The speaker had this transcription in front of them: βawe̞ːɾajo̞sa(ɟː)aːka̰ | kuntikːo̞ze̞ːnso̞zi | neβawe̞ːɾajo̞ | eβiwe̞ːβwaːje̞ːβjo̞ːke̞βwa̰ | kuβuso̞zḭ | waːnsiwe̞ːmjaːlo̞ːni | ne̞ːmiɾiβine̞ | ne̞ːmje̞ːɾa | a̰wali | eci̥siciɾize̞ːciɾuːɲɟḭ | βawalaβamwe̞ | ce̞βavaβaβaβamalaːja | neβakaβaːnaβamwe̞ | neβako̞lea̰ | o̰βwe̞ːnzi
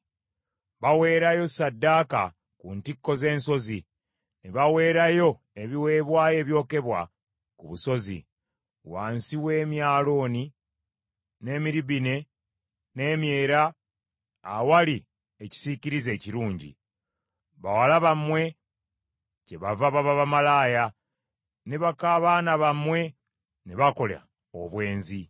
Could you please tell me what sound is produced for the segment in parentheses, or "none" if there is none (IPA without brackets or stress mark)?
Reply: dː